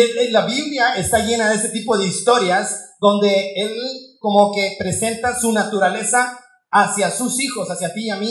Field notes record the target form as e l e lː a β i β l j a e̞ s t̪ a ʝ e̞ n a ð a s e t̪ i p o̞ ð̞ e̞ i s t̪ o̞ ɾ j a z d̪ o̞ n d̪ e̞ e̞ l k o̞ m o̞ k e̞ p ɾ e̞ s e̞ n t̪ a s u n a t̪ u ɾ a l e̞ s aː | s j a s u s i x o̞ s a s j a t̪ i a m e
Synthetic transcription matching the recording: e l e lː a β i β l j a e̞ s t̪ a ʝ e̞ n a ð e s e t̪ i p o̞ ð̞ e̞ i s t̪ o̞ ɾ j a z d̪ o̞ n d̪ e̞ e̞ l k o̞ m o̞ k e̞ p ɾ e̞ s e̞ n t̪ a s u n a t̪ u ɾ a l e̞ s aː | s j a s u s i x o̞ s a s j a t̪ i a m i